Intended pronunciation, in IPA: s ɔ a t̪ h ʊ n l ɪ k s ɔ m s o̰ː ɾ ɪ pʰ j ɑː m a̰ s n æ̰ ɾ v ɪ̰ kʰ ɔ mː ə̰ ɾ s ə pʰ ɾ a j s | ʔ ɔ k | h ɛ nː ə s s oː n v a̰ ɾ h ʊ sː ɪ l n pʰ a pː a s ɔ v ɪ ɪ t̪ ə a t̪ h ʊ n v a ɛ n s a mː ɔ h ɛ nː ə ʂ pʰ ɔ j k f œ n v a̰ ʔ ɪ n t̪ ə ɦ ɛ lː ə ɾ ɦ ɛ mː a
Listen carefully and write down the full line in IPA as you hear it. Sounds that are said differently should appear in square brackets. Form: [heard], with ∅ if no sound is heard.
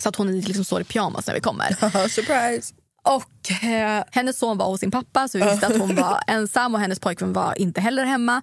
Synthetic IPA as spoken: s ɔ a t̪ h ʊ n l ɪ k s ɔ m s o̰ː ɾ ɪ pʰ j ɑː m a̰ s n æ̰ ɾ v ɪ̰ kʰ ɔ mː ə̰ ɾ s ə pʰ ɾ a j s | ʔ ɔ k | h ɛ nː ə s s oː n v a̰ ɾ h ʊ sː ɪ [∅] n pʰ a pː a s ɔ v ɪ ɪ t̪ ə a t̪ h ʊ n v a ɛ n s a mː ɔ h ɛ nː ə [s] pʰ ɔ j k [v] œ n v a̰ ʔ ɪ n t̪ ə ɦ ɛ lː ə ɾ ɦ ɛ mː a